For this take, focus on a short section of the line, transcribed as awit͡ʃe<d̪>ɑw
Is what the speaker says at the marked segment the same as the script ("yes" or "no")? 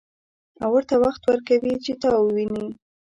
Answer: no